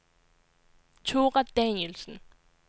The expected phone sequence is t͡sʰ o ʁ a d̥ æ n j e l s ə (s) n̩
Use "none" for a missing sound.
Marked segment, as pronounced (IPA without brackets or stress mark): none